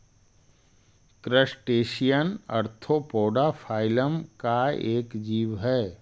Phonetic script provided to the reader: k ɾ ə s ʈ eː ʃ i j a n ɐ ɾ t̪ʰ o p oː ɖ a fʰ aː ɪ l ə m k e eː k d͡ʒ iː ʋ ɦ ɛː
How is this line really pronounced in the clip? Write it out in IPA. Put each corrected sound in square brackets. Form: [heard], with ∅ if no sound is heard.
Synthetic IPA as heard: k ɾ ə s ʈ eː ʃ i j [ə] n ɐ ɾ t̪ʰ o p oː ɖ a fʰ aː ɪ l ə m k [a] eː k d͡ʒ iː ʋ ɦ ɛː